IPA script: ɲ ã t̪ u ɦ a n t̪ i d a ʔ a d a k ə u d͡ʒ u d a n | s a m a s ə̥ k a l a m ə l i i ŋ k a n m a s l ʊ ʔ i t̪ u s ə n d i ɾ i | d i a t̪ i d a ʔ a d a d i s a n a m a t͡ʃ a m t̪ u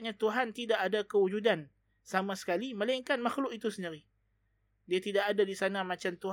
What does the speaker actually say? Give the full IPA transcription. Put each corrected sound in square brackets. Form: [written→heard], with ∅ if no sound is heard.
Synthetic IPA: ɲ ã t̪ u ɦ a n t̪ i d a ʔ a d a k ə u d͡ʒ u d a n | s a m a s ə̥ k a l [a→i] m ə l [i→a] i ŋ k a n m a [s→x] l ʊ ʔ i t̪ u s ə n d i ɾ i | d i a t̪ i d a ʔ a d a d i s a n a m a t͡ʃ a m t̪ u